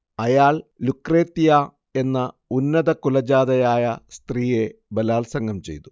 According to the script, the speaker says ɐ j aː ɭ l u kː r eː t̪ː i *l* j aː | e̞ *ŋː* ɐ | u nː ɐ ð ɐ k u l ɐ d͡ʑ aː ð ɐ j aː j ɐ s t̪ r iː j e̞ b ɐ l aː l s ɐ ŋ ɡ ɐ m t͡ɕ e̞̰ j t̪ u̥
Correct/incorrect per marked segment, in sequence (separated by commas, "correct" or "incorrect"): incorrect, incorrect